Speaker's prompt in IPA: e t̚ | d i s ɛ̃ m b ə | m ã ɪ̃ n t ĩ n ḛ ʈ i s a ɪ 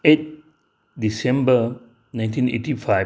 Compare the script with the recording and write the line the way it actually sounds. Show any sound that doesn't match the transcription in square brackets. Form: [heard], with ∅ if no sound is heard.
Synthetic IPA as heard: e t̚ | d i s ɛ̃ m b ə | [n] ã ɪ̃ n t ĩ n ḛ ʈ i [f] a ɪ